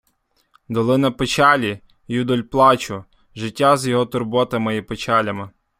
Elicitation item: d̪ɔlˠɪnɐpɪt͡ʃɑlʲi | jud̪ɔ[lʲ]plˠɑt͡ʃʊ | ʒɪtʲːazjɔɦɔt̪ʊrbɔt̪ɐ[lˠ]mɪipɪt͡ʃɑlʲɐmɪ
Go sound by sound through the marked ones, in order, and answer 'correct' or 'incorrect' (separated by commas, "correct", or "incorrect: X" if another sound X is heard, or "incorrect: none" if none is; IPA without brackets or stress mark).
correct, incorrect: none